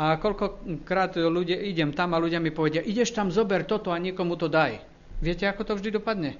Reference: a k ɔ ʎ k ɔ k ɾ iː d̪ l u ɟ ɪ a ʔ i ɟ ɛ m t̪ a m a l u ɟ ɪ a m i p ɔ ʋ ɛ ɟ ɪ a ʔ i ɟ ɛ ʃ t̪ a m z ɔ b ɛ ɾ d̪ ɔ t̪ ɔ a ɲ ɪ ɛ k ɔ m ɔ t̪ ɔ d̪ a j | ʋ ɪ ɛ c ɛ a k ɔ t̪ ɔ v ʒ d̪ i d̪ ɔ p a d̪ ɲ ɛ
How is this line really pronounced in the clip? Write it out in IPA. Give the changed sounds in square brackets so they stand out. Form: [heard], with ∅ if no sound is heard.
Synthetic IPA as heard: a k ɔ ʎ k ɔ k ɾ [aː] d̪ l u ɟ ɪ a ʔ i ɟ ɛ m t̪ a m a l u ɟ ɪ a m i p ɔ ʋ ɛ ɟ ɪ a ʔ i ɟ ɛ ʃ t̪ a m z ɔ b ɛ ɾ [t̪] ɔ t̪ ɔ a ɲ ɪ ɛ k ɔ m [u] t̪ ɔ d̪ a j | ʋ ɪ ɛ c ɛ a k ɔ t̪ ɔ v ʒ d̪ i d̪ ɔ p a d̪ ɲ ɛ